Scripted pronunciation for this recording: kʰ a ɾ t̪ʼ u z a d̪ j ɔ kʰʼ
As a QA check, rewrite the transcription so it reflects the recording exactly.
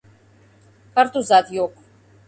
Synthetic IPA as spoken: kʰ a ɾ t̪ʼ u z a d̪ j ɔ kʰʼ